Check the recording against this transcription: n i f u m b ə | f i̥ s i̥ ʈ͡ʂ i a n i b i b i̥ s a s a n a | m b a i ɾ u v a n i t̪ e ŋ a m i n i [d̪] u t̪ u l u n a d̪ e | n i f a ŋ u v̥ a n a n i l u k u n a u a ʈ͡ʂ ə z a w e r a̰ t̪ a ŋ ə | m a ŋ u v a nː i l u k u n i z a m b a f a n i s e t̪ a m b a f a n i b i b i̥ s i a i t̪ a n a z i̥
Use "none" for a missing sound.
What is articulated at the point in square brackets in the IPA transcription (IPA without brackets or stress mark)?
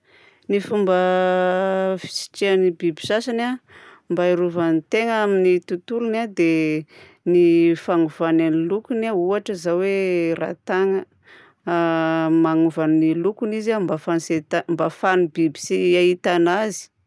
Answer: t̪